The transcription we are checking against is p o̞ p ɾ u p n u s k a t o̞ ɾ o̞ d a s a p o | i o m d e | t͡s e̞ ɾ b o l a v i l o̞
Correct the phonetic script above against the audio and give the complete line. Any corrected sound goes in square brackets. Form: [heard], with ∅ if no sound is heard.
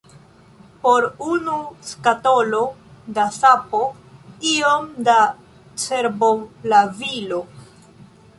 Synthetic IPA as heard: p o̞ [∅] ɾ u [∅] n u s k a t o̞ [l] o̞ d a s a p o | i o m d [a] | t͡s e̞ ɾ b o l a v i l o̞